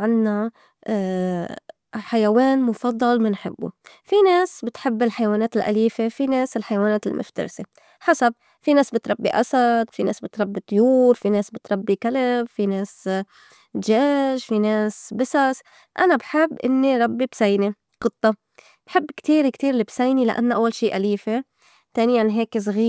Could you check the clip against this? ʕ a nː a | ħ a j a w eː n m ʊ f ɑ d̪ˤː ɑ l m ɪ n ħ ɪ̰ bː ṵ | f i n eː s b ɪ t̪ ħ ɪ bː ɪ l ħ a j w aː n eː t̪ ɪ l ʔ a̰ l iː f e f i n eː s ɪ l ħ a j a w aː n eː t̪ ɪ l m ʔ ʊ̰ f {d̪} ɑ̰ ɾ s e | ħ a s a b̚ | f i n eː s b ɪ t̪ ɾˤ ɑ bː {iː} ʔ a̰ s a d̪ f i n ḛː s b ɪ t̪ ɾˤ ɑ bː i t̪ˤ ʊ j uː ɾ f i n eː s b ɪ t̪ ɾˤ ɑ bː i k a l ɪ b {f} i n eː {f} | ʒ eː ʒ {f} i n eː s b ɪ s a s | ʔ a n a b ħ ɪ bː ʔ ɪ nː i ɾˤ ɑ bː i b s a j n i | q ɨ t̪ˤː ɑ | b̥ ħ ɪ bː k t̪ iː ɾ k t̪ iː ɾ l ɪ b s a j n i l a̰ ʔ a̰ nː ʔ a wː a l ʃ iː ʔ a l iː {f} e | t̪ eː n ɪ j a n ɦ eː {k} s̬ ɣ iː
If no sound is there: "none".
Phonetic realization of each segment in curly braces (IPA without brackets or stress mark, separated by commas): t̪, i, f, s, f, f, k